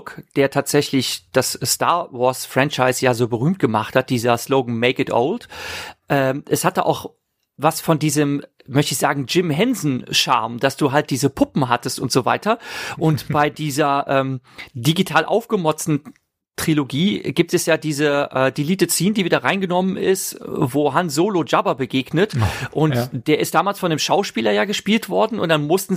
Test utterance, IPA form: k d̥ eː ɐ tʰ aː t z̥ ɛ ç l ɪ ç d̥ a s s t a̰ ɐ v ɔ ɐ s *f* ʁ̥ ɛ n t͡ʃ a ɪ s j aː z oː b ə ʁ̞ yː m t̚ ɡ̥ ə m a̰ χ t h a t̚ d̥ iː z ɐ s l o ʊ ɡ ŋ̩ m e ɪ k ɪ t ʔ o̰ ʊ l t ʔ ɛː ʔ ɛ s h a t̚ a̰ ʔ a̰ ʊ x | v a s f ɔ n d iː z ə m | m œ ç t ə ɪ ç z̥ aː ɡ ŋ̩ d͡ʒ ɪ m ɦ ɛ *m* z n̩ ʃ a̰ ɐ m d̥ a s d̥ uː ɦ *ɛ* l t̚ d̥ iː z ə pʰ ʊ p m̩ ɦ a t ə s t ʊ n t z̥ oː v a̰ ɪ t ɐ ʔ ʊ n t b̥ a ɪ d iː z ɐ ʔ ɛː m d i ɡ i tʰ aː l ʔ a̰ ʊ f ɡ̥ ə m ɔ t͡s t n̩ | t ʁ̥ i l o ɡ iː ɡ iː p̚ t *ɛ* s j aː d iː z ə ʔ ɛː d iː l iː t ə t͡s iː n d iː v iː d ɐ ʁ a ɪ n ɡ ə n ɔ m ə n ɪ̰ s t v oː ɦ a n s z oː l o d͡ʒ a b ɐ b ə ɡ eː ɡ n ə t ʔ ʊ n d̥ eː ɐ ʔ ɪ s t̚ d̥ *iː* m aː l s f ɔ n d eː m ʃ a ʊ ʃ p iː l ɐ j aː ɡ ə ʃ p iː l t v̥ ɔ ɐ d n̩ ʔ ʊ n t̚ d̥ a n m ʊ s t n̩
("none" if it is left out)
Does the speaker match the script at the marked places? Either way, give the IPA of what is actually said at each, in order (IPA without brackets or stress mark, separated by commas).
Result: f, n, a, ɛ, aː